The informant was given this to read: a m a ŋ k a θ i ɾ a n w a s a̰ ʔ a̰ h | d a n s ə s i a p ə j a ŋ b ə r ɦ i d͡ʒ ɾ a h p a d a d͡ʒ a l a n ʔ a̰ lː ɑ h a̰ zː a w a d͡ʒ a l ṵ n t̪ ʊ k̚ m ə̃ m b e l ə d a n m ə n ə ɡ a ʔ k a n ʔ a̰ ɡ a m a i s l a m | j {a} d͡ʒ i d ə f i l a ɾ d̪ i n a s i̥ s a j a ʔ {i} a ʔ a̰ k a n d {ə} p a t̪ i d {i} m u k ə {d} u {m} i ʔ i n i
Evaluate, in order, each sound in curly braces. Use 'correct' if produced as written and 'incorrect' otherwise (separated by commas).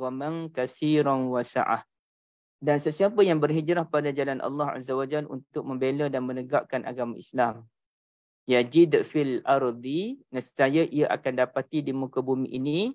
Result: correct, correct, incorrect, correct, incorrect, correct